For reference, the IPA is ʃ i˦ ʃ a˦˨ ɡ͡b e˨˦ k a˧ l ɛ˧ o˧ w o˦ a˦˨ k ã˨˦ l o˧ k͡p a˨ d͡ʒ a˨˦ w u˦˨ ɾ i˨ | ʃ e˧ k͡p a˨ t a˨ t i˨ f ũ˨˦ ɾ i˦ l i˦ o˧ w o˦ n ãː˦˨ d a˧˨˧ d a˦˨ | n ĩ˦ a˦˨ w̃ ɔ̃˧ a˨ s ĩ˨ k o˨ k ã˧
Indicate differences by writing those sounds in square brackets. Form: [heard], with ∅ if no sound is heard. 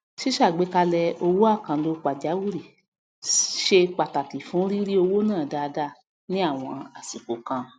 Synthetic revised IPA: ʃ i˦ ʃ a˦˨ ɡ͡b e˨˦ k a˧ l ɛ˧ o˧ w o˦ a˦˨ k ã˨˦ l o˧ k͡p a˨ d͡ʒ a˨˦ w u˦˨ ɾ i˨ | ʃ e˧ k͡p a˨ t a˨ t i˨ f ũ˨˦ ɾ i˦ [ɾ] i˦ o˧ w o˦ n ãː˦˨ d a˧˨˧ d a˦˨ | n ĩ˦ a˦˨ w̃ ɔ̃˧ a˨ s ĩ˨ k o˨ k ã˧